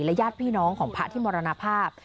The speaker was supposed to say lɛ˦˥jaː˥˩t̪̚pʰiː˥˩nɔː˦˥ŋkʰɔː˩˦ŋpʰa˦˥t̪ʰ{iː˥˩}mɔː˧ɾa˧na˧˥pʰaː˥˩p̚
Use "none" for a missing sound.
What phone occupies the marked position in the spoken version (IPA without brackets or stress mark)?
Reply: iː˥˩